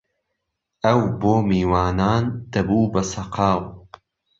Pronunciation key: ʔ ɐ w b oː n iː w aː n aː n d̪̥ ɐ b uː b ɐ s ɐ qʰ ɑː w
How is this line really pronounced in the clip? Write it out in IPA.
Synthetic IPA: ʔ ɐ w b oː m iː w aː n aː n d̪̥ ɐ b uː b ɐ s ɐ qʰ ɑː w